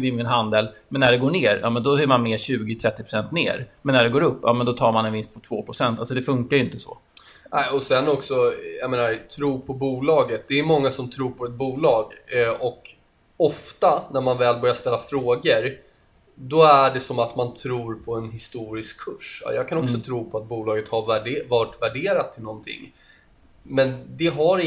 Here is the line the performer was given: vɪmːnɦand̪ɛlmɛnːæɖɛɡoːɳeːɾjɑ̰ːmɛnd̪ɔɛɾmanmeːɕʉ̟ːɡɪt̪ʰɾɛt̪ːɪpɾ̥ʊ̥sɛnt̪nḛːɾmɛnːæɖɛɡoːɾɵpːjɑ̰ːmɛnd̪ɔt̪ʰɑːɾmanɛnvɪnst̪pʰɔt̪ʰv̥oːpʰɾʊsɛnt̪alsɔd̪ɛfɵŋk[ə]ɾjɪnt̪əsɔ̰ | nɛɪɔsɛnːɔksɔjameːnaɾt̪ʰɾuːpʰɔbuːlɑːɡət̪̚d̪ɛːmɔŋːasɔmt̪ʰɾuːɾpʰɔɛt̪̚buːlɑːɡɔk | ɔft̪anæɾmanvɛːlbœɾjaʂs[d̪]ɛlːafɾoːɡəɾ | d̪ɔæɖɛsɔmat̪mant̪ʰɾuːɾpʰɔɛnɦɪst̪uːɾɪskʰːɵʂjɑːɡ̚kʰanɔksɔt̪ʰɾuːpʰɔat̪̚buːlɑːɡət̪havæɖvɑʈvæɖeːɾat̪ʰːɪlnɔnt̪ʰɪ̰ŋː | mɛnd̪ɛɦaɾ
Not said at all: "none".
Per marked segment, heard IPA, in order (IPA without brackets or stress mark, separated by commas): a, t̪